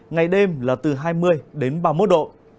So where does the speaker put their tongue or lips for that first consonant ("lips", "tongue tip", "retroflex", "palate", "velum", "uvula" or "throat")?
velum